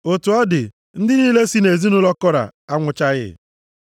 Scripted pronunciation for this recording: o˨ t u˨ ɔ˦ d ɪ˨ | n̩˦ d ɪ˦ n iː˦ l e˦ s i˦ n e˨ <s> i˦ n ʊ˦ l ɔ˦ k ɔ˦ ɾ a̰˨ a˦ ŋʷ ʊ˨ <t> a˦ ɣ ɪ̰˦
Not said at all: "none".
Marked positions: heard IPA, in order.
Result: z, t͡ʃ

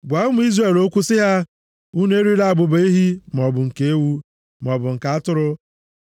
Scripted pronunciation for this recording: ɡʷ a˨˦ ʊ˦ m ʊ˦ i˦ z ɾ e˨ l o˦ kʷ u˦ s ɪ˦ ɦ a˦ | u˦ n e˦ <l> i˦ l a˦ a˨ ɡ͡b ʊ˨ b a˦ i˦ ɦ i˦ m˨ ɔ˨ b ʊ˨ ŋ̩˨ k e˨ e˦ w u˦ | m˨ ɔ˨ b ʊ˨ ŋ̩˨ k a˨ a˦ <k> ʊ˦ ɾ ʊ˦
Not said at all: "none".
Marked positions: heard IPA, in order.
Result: ɾ, t

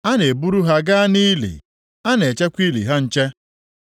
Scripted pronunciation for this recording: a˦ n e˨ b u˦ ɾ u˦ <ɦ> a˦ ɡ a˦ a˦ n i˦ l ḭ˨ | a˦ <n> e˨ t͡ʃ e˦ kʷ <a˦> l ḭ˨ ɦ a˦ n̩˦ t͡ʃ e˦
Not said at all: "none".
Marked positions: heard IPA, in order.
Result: ɦ, n, i˦

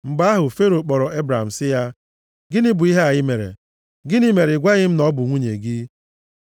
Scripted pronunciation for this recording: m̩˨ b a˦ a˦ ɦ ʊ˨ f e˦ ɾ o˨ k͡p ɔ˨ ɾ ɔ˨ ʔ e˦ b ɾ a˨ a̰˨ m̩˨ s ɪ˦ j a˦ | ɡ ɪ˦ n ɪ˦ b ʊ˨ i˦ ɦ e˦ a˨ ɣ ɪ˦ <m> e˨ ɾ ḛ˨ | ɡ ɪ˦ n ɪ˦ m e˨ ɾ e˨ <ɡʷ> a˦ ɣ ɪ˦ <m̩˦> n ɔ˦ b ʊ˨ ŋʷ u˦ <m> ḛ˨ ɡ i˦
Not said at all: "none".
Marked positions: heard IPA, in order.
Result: m, ɡʷ, m̩˦, ɲ

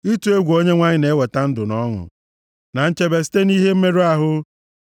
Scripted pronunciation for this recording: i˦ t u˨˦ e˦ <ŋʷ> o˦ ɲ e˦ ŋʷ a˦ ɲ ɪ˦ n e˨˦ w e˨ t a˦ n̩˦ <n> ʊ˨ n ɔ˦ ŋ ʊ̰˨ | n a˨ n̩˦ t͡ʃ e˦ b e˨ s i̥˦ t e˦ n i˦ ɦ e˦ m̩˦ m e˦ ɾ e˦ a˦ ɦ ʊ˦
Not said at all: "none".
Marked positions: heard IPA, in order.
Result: ɡʷ, d

